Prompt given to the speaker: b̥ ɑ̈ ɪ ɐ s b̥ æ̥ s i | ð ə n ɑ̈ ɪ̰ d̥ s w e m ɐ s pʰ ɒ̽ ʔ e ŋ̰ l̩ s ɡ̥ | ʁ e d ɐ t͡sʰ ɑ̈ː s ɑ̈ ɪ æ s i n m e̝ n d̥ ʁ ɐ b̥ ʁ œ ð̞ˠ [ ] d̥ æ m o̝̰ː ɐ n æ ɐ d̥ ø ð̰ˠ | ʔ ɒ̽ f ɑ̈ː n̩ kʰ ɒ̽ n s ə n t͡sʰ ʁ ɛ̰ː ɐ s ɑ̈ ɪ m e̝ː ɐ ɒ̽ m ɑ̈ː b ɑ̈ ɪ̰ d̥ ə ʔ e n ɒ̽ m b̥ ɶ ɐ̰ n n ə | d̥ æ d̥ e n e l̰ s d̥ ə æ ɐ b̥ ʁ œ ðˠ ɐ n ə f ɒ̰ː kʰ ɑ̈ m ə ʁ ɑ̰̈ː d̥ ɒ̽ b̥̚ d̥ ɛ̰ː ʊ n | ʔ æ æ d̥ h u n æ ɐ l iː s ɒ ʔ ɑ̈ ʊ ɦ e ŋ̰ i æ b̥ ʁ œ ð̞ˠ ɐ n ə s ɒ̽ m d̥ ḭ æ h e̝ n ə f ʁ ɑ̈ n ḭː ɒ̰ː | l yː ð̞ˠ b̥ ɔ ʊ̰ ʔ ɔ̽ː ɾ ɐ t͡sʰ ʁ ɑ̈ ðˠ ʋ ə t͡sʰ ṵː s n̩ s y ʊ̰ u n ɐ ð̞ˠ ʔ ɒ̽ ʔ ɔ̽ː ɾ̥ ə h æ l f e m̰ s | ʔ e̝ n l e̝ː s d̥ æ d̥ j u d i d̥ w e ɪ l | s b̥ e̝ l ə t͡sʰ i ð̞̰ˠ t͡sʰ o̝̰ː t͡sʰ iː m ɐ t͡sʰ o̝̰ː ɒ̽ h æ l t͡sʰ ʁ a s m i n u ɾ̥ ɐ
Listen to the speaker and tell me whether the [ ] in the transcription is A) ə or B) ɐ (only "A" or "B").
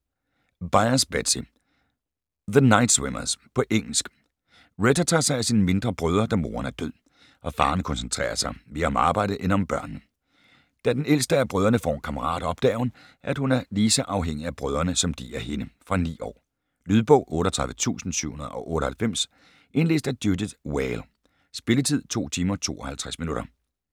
B